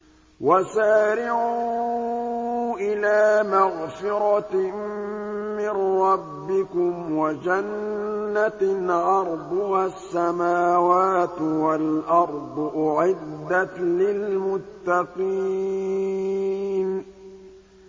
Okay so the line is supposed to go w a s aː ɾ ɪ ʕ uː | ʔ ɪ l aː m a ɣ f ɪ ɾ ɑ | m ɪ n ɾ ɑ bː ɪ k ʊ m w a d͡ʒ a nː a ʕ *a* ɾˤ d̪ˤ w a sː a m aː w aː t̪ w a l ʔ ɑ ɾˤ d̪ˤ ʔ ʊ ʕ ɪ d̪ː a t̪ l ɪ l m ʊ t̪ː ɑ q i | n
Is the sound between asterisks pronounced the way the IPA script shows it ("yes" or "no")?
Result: no